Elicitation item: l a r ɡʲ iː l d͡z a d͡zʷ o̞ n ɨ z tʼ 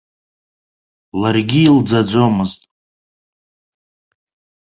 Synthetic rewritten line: l a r ɡʲ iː l d͡z a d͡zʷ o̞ m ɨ z tʼ